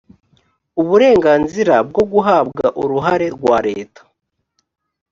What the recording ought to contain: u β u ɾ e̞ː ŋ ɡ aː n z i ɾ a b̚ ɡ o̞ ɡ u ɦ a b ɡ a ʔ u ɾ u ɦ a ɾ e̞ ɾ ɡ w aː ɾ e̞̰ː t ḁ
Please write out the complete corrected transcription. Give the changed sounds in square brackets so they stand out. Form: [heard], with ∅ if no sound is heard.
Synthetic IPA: u β u ɾ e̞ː ŋ ɡ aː n z i ɾ a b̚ ɡ o̞ ɡ u ɦ a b ɡ a ʔ u ɾ u ɦ a ɾ e̞ ɾ ɡ w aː ɾ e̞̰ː t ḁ